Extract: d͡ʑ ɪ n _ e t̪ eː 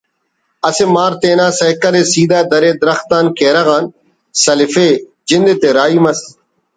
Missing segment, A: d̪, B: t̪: A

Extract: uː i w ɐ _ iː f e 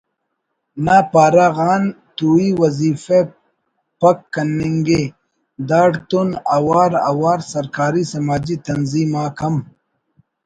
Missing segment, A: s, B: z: B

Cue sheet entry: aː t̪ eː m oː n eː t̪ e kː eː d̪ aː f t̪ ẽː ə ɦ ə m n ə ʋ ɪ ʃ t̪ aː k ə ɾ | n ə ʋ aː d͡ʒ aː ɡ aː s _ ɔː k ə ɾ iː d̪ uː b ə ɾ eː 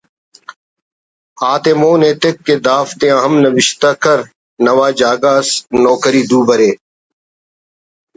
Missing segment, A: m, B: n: B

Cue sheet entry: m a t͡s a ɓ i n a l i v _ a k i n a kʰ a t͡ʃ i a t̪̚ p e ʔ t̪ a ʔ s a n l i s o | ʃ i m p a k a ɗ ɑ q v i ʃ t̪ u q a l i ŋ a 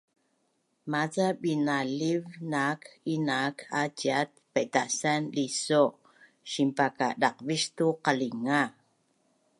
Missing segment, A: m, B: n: B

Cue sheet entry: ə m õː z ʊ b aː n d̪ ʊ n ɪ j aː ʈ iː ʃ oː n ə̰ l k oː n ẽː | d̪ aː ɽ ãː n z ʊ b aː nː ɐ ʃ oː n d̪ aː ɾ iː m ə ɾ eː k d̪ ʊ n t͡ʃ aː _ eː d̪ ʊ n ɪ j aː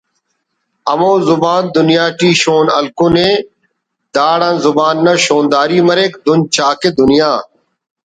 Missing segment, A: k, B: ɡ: A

